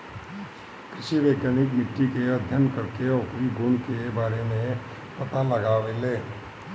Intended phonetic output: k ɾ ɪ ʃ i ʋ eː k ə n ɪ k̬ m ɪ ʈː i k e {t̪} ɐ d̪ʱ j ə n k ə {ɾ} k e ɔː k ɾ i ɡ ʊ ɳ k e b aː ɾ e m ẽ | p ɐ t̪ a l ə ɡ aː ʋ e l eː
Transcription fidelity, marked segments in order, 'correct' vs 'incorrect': incorrect: none, correct

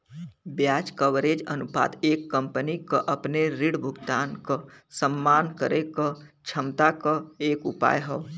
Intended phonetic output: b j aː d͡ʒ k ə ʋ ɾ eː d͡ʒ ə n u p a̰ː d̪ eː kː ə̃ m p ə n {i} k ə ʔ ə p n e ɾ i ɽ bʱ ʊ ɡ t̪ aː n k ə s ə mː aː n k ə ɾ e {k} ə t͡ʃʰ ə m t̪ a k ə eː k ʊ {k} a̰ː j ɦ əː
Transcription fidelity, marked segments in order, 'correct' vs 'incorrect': correct, correct, incorrect: p

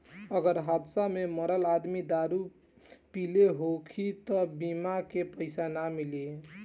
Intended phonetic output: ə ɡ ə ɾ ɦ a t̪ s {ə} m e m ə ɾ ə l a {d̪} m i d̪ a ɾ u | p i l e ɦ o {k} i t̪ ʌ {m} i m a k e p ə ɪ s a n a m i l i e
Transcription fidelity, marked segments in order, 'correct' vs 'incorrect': incorrect: a, correct, incorrect: kʰ, incorrect: b

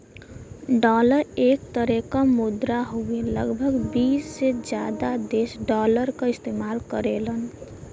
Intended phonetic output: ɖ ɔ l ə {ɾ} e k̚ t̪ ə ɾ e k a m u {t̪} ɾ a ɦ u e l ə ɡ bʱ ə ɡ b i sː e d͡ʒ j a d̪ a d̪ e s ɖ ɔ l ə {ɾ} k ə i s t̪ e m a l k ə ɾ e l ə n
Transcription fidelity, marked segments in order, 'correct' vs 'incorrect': correct, incorrect: d̪, correct

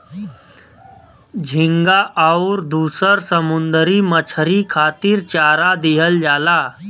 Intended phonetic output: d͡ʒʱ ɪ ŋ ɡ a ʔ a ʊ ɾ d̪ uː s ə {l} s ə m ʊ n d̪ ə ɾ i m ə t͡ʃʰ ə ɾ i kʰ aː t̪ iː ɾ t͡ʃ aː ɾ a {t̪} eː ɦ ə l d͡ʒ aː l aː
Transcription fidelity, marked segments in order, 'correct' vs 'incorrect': incorrect: ɾ, incorrect: d̪

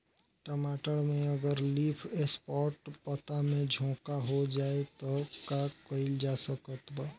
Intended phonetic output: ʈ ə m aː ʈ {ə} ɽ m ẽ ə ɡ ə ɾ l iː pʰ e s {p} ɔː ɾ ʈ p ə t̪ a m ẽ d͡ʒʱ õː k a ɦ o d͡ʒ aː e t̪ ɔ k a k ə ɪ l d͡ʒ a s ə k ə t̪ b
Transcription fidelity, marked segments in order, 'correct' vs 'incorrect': correct, correct

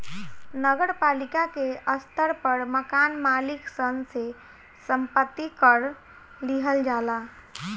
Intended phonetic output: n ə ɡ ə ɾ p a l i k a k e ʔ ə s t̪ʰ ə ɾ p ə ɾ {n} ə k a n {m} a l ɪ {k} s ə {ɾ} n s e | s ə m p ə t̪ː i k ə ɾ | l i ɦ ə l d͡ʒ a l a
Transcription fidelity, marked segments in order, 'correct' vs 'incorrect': incorrect: m, correct, correct, incorrect: none

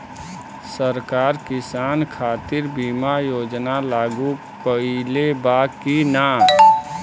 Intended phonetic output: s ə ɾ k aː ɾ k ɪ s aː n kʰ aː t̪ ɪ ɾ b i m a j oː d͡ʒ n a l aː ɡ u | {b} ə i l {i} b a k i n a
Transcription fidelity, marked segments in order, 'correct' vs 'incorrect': incorrect: p, incorrect: e

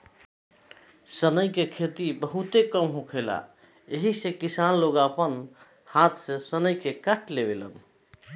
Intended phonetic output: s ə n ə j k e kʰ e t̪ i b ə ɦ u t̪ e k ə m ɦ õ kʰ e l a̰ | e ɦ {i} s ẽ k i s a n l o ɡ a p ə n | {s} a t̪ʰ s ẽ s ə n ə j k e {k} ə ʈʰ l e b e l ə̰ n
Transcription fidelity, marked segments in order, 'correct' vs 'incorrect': correct, incorrect: h, correct

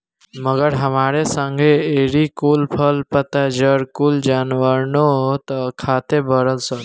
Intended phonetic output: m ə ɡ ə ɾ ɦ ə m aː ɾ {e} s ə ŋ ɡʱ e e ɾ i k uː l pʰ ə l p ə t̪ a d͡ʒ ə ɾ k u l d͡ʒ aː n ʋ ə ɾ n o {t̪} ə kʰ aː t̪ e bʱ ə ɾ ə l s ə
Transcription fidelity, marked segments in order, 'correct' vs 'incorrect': correct, correct

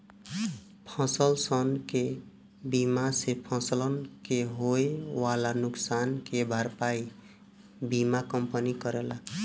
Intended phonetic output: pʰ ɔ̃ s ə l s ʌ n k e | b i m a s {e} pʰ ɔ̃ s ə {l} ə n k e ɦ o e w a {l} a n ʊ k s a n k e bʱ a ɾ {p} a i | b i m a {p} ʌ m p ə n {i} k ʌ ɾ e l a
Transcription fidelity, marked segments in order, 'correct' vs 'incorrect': correct, correct, correct, correct, incorrect: k, correct

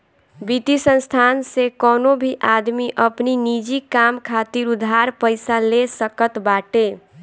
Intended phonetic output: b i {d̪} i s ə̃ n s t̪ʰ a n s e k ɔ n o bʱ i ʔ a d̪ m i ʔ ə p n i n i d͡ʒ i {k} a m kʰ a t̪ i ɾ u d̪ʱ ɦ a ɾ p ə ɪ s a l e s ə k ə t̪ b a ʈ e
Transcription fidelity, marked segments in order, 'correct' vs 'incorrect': incorrect: t̪, correct

